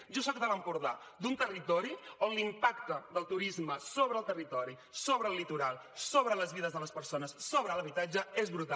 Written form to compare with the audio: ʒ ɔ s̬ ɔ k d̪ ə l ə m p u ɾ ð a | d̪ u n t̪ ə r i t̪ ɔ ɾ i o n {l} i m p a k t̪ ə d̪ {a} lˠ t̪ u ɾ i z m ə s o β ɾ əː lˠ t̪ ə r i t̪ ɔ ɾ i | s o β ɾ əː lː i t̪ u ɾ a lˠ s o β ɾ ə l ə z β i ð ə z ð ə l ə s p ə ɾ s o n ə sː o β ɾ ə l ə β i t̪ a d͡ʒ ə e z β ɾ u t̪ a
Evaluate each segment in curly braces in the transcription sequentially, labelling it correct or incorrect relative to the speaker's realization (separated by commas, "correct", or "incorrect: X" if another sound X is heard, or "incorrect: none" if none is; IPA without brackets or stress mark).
correct, incorrect: ə